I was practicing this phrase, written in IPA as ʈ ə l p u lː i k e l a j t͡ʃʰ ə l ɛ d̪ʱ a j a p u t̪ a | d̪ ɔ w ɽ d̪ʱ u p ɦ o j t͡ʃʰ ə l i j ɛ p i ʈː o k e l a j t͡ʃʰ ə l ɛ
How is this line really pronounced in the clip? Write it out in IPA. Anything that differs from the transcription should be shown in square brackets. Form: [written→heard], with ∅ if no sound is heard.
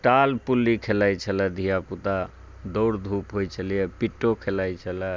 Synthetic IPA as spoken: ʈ [ə→a] l p u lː i [k→kʰ] e l a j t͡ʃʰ ə l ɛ d̪ʱ [a→i] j a p u t̪ a | d̪ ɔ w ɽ d̪ʱ u p ɦ o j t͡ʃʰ ə l i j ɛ p i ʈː o [k→kʰ] e l a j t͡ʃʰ ə l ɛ